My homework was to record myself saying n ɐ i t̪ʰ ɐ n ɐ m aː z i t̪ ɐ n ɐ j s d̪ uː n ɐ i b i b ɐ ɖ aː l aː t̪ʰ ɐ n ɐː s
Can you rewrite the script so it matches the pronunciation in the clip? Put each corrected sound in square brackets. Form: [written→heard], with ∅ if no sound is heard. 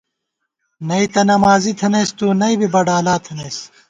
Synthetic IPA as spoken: n ɐ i [t̪ʰ→t̪] ɐ n ɐ m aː z i [t̪→t̪ʰ] ɐ n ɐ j s [d̪→t̪] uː n ɐ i b i b ɐ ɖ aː l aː t̪ʰ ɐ n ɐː s